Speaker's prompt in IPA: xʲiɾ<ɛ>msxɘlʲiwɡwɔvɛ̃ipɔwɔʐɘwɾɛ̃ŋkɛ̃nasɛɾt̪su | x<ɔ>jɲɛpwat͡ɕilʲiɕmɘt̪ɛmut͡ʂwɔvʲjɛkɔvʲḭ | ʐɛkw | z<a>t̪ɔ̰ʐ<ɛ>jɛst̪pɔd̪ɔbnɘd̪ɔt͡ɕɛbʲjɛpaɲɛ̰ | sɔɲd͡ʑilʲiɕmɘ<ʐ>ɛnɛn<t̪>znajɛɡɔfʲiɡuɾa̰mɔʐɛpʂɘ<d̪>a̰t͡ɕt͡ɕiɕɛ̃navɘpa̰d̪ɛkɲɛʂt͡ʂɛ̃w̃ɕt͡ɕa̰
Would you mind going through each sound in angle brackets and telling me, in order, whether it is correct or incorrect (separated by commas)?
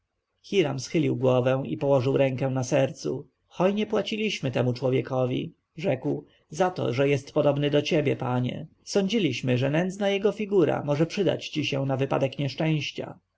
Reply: incorrect, correct, correct, correct, correct, incorrect, correct